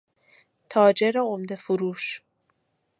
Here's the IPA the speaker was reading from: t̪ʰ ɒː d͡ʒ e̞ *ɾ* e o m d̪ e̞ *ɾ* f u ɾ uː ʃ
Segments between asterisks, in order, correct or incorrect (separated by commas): correct, incorrect